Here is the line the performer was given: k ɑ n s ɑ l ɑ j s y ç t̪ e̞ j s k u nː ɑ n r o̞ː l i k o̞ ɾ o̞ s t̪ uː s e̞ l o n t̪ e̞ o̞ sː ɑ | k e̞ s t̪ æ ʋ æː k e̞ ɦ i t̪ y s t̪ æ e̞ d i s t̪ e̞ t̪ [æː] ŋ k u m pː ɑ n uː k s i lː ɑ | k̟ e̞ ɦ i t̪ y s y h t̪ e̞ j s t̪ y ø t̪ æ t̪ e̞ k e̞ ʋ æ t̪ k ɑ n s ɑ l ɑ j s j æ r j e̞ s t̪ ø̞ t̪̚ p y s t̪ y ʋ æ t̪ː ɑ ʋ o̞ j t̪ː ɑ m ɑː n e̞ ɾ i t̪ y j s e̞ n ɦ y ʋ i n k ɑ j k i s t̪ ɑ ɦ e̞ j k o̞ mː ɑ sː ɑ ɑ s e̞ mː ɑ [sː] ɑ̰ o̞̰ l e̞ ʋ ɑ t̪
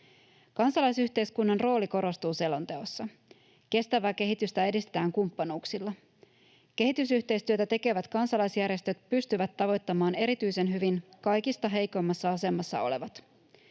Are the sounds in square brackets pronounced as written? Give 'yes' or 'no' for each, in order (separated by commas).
yes, yes